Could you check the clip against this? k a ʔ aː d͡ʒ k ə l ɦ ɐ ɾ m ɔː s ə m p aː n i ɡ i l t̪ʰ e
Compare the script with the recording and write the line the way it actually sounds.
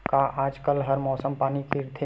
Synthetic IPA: k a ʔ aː d͡ʒ k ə l ɦ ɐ ɾ m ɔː s ə m p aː n i k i ɾ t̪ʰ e